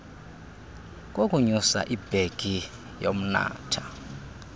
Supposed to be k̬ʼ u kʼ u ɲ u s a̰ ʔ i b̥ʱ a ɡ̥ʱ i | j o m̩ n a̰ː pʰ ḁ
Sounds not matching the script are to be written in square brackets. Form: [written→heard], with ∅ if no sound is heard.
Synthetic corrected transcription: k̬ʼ [u→o] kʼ u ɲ u s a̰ ʔ i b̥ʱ [a→e] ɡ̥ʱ i | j o m̩ n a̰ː [pʰ→tʰ] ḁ